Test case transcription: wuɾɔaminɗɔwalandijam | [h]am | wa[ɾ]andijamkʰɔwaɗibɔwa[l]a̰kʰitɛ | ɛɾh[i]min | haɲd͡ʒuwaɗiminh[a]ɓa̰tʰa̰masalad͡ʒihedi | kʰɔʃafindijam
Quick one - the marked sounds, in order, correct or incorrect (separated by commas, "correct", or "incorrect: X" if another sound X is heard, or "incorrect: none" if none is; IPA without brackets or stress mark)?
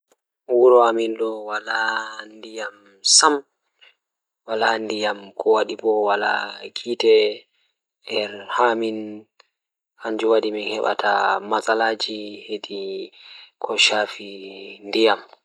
incorrect: s, incorrect: l, correct, incorrect: a, incorrect: ɛ